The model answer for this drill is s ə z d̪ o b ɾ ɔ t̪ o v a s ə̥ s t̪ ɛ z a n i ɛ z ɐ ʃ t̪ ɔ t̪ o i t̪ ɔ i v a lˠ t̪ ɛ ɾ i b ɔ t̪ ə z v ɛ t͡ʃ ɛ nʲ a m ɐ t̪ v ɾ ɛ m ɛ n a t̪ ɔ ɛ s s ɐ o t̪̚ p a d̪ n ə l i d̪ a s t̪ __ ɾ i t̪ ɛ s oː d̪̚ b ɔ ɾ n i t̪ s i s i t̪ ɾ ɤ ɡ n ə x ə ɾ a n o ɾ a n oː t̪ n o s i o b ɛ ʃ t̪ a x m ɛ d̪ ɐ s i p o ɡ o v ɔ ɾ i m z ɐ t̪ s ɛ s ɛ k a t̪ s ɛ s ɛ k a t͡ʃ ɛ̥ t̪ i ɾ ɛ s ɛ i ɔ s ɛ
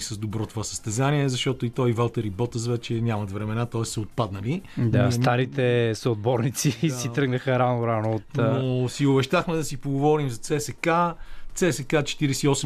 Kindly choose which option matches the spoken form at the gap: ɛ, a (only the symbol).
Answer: a